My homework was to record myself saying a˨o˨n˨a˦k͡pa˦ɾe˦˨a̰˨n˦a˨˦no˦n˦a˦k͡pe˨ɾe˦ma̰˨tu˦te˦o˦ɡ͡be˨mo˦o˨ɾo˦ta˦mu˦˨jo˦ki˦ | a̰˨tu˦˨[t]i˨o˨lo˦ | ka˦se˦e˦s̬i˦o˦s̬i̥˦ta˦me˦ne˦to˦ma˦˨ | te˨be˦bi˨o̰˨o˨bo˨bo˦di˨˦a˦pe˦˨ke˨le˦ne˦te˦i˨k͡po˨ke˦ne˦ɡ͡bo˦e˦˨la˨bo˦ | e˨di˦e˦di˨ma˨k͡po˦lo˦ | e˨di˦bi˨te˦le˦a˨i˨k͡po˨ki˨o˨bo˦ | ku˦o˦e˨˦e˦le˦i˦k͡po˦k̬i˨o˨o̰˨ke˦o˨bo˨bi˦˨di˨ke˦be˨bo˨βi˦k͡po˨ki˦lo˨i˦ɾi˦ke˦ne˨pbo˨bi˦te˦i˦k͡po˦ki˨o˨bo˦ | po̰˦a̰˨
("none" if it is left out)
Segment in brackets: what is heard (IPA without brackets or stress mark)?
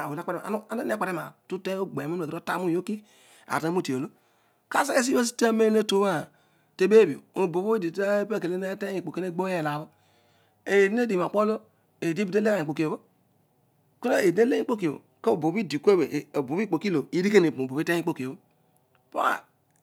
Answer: t